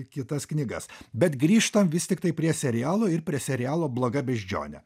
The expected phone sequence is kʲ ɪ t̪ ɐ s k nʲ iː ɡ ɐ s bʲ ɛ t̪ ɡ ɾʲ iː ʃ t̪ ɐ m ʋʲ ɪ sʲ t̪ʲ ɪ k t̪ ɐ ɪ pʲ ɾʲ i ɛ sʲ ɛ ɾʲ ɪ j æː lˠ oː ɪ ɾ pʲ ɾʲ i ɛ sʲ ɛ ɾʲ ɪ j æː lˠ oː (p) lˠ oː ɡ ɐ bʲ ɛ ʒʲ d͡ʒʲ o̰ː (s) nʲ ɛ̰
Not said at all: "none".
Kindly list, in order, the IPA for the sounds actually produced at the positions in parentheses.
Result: b, none

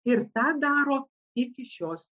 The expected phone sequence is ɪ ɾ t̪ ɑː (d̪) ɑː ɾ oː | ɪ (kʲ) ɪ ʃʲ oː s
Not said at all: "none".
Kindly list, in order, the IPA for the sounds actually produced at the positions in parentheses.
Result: d̪, kʲ

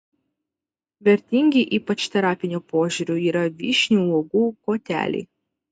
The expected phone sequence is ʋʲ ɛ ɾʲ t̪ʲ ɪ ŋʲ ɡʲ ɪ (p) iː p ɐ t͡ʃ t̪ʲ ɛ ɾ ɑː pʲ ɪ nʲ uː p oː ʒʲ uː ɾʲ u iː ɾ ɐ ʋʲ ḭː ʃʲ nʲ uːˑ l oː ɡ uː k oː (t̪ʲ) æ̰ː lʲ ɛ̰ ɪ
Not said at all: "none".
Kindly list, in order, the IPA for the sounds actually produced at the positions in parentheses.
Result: ʔ, t̪ʲ

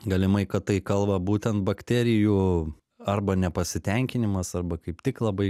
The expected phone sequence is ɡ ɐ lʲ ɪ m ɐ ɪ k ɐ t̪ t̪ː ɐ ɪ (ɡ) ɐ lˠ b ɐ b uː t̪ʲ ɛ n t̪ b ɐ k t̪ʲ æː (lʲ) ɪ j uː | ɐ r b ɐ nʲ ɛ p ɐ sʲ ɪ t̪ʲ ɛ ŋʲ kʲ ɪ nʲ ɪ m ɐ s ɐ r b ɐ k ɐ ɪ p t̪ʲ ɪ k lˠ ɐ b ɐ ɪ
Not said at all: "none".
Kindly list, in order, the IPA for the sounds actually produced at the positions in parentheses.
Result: k, ɾʲ

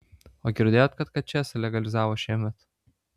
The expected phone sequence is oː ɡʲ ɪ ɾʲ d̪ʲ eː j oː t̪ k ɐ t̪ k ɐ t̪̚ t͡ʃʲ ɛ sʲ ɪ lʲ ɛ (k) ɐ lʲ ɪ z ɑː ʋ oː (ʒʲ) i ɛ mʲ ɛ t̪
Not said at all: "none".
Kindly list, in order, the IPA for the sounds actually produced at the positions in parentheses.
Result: ɡ, ʃʲ

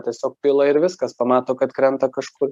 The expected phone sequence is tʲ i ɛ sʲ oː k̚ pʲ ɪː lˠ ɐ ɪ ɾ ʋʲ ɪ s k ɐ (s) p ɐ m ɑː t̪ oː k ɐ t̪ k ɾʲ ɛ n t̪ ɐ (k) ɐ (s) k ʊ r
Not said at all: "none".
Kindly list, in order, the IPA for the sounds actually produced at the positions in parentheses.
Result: s, k, ʃ

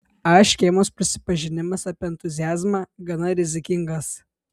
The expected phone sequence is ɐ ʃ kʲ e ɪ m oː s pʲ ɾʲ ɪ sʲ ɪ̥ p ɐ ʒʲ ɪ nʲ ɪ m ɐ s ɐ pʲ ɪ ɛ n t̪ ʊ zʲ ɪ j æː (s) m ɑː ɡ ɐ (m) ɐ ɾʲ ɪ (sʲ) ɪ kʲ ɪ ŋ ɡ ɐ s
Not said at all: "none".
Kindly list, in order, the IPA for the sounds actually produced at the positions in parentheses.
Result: z, n, zʲ

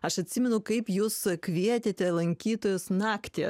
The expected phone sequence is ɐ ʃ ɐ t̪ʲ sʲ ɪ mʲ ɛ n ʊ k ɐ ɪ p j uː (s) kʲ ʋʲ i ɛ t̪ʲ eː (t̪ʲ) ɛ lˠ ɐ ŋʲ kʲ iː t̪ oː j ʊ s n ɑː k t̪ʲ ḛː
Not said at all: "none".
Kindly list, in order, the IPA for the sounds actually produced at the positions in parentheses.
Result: s, t̪ʲ

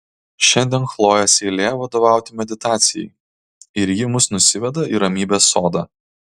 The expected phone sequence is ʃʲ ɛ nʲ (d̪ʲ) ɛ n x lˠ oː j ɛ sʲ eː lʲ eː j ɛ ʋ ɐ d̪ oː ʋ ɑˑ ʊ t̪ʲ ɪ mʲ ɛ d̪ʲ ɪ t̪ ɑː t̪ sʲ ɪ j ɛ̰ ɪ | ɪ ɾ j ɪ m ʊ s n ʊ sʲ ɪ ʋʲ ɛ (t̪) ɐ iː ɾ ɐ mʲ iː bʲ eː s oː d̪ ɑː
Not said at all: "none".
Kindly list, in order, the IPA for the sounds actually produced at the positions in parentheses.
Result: d̪ʲ, d̪

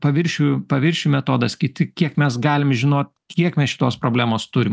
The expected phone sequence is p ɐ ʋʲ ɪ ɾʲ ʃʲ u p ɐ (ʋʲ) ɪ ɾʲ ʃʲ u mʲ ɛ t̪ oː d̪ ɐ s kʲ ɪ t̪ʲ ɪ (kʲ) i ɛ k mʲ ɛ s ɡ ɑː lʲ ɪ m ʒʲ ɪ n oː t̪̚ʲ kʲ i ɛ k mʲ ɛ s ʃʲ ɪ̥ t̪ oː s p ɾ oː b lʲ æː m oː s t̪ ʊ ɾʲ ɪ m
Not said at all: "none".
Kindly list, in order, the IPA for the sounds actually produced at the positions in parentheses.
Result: ʋʲ, kʲ

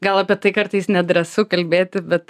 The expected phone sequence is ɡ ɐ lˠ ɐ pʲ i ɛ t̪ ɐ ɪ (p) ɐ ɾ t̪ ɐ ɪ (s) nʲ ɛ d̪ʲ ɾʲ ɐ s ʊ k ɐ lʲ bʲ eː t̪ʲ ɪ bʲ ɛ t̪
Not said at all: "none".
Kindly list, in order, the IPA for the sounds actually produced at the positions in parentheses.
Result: k, s

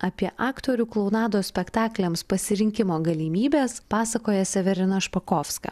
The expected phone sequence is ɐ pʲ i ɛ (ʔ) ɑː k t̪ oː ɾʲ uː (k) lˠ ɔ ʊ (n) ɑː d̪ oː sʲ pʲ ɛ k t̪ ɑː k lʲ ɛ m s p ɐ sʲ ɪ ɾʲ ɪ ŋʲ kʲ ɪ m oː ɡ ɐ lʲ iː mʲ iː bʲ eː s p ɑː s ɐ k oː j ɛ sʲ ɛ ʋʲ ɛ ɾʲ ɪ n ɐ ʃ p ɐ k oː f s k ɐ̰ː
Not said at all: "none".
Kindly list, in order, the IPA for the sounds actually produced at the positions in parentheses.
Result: ʔ, k, n

